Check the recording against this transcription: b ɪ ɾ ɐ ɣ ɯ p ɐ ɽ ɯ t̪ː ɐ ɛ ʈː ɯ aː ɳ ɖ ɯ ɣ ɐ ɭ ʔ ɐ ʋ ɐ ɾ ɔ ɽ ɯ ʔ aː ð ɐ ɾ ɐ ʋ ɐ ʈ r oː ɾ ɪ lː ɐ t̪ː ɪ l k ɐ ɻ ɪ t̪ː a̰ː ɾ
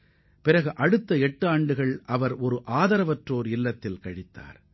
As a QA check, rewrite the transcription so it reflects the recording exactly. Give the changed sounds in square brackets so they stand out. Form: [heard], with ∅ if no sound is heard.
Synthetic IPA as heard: [p] ɪ ɾ ɐ ɣ ɯ [ʔ] ɐ ɽ ɯ t̪ː ɐ ɛ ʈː ɯ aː ɳ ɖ ɯ ɣ ɐ ɭ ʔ ɐ ʋ ɐ ɾ ɔ [ɾ] ɯ ʔ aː ð ɐ ɾ ɐ ʋ ɐ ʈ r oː ɾ ɪ lː ɐ t̪ː ɪ l k ɐ ɻ ɪ t̪ː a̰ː ɾ